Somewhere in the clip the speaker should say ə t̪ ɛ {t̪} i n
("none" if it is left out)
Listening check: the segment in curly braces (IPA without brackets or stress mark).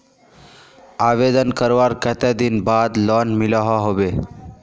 d̪